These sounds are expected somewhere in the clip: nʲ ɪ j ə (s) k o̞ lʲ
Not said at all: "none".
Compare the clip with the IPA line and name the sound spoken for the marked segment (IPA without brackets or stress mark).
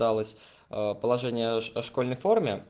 ʂ